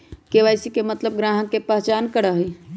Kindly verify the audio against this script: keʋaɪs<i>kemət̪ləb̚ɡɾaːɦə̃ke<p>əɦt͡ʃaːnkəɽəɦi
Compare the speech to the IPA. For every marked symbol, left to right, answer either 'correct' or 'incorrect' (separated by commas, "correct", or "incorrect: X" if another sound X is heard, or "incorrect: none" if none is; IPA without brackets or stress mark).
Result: correct, correct